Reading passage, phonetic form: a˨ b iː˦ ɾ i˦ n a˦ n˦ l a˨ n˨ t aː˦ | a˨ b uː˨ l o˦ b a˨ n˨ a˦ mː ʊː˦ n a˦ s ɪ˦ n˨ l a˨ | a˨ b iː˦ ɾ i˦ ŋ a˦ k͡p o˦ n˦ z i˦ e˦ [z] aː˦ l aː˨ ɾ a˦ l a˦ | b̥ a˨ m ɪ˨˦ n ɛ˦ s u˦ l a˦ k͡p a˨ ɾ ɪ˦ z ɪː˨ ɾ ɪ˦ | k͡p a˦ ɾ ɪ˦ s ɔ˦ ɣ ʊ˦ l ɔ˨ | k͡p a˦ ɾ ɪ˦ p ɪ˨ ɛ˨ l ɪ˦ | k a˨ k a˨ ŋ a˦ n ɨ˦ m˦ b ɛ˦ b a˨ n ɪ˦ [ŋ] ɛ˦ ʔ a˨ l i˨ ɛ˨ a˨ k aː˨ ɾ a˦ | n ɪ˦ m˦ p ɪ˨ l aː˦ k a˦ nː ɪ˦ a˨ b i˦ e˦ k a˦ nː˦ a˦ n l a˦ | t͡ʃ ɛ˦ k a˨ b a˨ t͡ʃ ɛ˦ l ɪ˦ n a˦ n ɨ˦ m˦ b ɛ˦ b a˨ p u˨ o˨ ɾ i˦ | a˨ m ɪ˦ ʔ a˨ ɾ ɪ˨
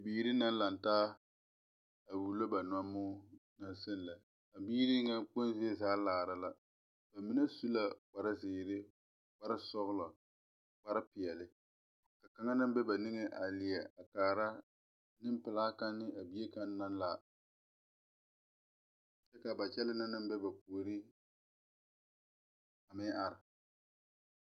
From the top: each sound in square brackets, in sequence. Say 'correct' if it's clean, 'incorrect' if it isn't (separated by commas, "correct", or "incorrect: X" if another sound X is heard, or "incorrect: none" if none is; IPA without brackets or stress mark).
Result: correct, correct